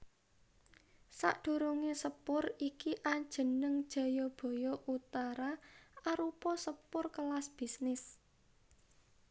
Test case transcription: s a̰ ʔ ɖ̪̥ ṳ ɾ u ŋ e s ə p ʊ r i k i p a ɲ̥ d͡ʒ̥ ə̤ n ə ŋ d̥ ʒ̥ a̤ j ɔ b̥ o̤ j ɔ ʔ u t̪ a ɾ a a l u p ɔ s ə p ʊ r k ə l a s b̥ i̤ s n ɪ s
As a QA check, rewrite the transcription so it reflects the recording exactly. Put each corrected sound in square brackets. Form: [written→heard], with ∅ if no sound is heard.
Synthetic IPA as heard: s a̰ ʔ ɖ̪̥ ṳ ɾ u ŋ e s ə p ʊ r i k i [p→ʔ] a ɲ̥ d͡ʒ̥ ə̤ n ə ŋ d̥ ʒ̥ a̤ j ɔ b̥ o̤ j ɔ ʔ u t̪ a ɾ a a [l→ɾ] u p ɔ s ə p ʊ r k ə l a s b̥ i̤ s n ɪ s